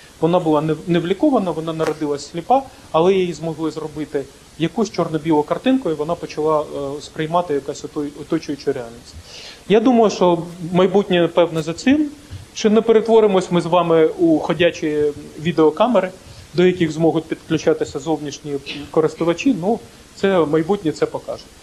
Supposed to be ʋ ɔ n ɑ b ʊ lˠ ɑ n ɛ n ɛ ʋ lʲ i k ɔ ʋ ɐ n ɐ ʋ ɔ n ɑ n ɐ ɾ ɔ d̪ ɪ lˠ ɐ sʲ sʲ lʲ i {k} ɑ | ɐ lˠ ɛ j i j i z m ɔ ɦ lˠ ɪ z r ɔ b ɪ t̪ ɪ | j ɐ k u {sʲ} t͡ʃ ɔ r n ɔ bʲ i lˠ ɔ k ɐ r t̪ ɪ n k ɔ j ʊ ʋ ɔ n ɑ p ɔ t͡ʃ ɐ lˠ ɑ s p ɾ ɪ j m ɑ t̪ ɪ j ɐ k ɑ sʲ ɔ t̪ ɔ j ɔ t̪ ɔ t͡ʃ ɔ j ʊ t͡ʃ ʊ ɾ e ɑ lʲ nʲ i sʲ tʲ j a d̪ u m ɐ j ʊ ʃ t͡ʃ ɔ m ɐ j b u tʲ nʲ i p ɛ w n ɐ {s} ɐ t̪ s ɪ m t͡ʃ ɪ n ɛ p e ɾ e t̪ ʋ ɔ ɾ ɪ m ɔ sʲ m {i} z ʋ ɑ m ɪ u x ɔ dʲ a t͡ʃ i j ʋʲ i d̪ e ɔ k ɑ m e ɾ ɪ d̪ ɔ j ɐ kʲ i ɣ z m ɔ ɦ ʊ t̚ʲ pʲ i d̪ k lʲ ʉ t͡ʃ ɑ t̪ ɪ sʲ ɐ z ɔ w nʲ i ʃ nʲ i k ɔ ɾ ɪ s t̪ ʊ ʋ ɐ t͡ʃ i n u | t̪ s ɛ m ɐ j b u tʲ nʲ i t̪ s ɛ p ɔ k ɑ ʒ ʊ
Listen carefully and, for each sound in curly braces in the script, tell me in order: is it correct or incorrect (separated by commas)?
incorrect, correct, incorrect, incorrect